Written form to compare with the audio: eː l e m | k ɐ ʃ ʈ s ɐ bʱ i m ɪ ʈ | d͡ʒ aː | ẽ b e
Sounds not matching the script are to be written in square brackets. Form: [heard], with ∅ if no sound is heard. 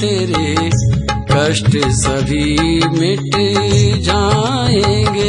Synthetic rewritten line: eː [ɾ] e [∅] | k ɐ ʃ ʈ s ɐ bʱ i m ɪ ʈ | d͡ʒ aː | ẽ [ɡ] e